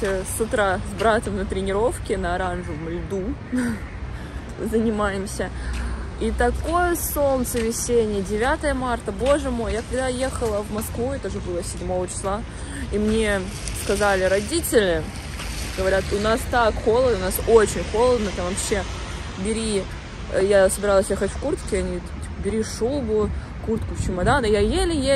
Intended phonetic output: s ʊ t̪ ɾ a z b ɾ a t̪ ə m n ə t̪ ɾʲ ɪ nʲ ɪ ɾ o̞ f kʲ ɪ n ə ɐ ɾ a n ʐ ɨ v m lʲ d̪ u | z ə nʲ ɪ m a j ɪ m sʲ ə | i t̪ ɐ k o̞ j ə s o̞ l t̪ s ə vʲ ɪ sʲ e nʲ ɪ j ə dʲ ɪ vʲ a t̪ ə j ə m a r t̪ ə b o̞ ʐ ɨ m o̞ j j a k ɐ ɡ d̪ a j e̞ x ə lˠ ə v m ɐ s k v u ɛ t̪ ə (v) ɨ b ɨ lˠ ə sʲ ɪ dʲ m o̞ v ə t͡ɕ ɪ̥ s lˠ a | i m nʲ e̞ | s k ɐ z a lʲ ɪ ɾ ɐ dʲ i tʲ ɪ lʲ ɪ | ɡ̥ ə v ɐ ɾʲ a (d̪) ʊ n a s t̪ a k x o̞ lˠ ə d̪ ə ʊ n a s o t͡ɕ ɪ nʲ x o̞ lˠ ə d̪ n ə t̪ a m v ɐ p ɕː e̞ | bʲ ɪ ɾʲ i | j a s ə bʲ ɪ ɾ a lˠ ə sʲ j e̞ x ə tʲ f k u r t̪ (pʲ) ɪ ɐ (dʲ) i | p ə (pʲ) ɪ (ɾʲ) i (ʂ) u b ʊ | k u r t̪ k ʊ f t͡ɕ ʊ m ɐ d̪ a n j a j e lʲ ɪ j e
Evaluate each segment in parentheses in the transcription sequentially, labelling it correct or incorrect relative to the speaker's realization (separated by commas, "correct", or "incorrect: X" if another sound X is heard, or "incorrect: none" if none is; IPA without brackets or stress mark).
incorrect: ʐ, incorrect: t̪, incorrect: kʲ, incorrect: nʲ, incorrect: bʲ, correct, correct